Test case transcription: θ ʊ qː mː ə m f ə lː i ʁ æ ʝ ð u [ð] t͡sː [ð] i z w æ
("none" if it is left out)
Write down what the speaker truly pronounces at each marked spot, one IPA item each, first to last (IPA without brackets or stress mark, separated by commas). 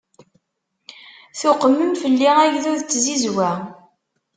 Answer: ð, z